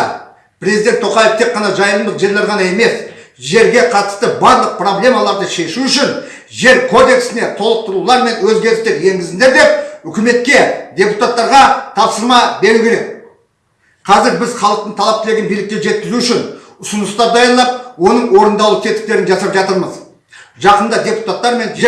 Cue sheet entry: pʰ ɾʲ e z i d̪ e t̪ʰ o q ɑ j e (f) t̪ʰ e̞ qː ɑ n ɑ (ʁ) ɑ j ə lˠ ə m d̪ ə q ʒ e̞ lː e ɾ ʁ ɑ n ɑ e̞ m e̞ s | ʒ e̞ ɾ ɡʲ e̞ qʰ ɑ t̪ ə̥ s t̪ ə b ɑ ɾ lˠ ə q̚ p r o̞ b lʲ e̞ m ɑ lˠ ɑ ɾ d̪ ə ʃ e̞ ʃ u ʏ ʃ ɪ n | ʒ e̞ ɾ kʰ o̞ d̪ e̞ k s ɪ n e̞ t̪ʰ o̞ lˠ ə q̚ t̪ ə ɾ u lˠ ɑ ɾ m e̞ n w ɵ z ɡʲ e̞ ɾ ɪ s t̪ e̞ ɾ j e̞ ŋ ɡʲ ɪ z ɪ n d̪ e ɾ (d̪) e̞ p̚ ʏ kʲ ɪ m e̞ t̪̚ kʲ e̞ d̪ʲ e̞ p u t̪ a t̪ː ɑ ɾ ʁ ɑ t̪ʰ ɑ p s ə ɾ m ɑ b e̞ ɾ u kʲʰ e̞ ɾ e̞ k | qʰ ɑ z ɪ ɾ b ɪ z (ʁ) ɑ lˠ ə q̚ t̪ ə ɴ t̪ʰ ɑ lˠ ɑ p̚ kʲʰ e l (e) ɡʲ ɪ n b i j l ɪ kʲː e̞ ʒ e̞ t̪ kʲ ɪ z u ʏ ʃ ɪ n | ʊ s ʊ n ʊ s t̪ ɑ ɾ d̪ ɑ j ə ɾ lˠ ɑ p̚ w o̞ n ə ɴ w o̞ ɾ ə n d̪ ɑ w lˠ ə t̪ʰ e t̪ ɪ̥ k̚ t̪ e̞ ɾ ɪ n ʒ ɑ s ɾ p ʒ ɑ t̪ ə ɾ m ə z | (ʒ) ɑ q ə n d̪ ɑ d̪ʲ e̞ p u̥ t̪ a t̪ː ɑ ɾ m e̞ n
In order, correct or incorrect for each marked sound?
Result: correct, incorrect: ʒ, correct, incorrect: χ, correct, correct

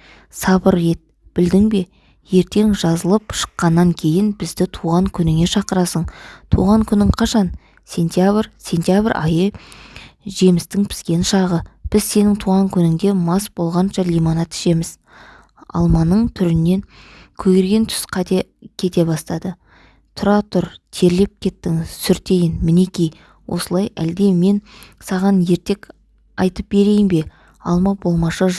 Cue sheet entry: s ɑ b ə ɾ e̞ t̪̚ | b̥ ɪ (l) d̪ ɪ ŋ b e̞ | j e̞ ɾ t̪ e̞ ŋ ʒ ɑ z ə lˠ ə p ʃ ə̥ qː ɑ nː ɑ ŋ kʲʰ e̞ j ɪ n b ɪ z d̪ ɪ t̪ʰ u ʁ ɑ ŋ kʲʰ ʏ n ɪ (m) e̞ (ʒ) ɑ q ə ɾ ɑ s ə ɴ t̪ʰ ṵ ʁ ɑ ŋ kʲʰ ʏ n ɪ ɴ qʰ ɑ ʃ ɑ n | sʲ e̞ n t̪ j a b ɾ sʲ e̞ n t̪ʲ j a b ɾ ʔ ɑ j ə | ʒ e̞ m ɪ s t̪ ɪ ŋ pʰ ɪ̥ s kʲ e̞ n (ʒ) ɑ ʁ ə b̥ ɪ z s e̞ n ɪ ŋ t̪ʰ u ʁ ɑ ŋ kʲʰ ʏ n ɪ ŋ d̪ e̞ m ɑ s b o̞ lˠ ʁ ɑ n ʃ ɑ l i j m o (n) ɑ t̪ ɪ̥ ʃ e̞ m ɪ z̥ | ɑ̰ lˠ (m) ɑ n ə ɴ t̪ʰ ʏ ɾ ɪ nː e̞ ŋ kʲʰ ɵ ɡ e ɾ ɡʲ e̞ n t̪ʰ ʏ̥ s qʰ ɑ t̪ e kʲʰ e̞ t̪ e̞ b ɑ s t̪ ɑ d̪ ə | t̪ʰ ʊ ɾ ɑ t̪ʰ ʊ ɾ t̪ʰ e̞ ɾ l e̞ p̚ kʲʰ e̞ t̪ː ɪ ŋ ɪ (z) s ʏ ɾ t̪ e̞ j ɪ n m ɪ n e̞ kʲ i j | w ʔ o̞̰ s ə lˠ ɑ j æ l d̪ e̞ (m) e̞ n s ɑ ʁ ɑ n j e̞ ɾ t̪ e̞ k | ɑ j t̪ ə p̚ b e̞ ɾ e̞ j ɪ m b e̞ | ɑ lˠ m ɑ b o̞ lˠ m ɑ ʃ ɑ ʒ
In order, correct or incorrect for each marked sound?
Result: correct, incorrect: ŋ, incorrect: ʃ, incorrect: ʃ, correct, correct, correct, correct

